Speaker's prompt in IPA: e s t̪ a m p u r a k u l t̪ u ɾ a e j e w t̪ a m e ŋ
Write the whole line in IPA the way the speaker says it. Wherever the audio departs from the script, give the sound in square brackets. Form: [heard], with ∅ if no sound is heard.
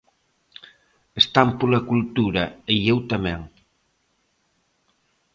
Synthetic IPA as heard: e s t̪ a m p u [l] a k u l t̪ u ɾ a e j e w t̪ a m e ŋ